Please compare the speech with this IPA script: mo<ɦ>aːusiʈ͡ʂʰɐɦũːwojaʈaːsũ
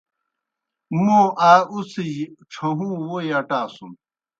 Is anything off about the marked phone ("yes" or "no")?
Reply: yes